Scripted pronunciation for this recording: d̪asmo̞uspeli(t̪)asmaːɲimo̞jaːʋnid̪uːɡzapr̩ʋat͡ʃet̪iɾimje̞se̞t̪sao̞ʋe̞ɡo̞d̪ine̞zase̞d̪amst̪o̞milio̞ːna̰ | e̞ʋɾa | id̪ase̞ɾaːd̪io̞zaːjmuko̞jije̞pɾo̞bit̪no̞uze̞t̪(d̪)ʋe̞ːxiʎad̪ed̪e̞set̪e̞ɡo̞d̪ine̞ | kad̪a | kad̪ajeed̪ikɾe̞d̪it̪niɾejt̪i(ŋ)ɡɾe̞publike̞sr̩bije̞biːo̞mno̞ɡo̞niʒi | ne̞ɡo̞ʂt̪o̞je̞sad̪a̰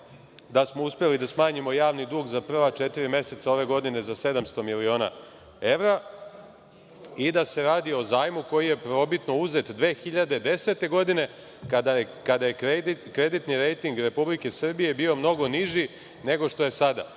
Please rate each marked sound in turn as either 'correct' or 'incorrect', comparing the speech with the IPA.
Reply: incorrect: d̪, correct, correct

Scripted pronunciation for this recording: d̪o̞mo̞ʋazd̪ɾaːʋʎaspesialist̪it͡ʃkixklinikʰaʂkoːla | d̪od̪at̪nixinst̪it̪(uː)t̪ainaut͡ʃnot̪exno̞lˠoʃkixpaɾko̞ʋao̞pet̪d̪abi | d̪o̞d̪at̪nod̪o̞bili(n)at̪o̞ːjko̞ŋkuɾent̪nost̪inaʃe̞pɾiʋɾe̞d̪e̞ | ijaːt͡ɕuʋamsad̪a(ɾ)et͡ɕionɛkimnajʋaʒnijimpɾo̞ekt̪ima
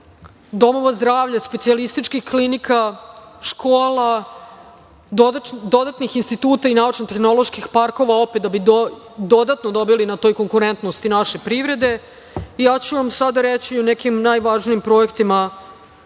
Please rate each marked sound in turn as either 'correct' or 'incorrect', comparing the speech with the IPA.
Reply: correct, correct, correct

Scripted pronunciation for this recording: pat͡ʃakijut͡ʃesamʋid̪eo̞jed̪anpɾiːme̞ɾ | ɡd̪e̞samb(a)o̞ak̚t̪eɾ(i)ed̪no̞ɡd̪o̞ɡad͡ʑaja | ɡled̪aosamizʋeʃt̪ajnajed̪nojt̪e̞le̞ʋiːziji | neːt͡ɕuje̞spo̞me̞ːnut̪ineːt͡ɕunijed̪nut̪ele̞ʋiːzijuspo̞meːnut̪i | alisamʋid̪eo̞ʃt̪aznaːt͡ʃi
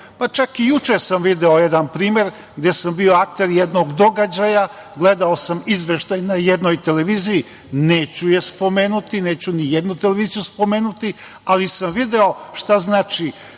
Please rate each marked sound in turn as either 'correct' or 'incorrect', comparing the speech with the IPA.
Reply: incorrect: i, incorrect: j

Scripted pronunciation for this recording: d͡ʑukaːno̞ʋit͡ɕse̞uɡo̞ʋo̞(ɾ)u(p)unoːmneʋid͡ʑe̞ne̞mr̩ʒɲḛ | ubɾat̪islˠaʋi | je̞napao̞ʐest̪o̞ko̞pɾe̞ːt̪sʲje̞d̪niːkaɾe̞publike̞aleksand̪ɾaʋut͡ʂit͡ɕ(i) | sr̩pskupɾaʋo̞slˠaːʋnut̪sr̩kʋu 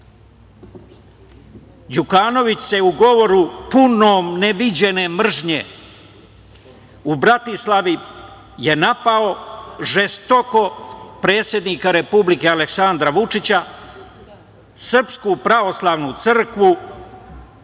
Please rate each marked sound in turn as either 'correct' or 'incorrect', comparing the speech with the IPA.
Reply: correct, correct, incorrect: a

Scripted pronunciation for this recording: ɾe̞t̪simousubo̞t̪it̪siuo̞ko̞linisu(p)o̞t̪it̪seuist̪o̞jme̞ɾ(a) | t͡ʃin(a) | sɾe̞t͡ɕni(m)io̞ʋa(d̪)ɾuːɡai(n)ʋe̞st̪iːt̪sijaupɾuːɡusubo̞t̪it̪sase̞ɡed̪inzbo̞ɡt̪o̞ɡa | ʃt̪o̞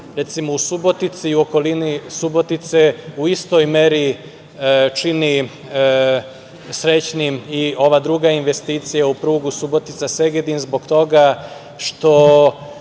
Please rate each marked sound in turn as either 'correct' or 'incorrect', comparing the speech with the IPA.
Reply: incorrect: b, incorrect: i, incorrect: i, correct, correct, correct

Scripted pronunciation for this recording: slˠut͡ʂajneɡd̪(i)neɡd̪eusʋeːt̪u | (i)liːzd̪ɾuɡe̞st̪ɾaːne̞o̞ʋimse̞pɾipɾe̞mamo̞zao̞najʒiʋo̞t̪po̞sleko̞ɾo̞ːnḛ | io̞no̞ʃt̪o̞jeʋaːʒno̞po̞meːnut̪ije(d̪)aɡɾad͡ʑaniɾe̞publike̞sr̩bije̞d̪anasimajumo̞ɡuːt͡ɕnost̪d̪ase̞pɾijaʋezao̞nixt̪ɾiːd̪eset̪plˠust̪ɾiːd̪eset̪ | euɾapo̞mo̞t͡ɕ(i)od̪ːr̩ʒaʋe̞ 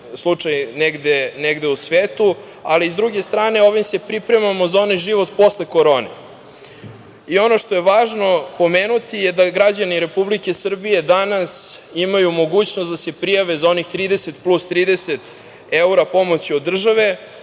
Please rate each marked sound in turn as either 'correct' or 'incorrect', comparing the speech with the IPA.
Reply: incorrect: e, incorrect: a, correct, correct

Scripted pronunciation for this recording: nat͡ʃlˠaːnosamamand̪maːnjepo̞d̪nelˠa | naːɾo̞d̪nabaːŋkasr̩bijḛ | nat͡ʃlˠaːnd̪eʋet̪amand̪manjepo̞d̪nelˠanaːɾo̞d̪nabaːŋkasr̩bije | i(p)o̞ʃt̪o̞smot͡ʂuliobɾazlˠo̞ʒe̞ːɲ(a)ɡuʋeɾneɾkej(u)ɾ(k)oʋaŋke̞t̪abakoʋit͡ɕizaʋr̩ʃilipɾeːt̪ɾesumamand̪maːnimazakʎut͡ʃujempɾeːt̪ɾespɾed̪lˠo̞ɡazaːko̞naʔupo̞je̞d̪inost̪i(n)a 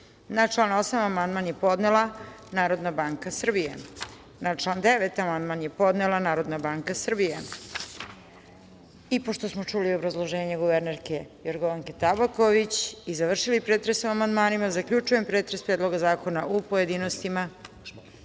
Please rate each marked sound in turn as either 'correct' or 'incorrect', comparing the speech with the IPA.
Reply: correct, incorrect: e, incorrect: o, incorrect: ɡ, incorrect: m

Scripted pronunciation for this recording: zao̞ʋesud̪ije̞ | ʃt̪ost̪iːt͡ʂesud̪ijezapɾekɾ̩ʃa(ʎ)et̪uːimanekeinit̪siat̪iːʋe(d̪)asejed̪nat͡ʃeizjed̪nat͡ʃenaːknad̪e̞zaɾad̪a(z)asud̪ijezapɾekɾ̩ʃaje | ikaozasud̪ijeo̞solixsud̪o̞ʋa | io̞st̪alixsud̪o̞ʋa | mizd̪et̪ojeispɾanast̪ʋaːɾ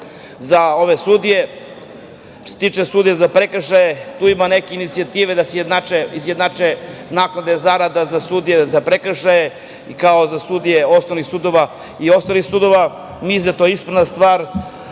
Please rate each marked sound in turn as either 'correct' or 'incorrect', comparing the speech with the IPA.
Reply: incorrect: j, correct, correct

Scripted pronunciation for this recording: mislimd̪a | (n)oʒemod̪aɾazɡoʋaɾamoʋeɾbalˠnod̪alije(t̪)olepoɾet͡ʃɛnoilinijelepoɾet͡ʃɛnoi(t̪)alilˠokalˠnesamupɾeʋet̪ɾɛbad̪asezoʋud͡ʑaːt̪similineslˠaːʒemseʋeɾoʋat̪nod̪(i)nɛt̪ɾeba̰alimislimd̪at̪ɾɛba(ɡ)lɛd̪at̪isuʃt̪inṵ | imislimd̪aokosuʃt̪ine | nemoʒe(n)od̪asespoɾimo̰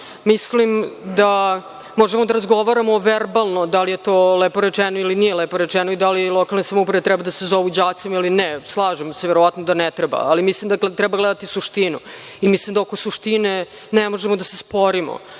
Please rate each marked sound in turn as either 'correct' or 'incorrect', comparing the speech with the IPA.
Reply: incorrect: m, correct, incorrect: d̪, incorrect: a, correct, incorrect: m

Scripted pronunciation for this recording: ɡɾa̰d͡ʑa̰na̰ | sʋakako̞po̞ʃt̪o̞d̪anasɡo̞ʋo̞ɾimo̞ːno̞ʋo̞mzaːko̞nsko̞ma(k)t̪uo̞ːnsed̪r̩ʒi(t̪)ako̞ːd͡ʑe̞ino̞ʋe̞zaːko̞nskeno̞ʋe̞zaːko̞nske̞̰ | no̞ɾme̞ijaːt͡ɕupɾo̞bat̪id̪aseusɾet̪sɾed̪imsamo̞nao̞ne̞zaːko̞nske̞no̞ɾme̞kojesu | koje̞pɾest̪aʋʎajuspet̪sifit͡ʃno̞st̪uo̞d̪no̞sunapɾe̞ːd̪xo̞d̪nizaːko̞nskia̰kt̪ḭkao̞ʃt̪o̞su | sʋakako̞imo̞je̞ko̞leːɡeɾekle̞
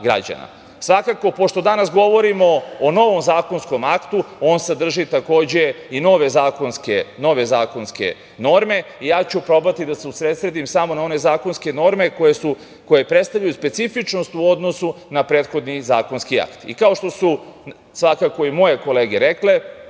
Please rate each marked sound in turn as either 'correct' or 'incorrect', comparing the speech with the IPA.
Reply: correct, correct

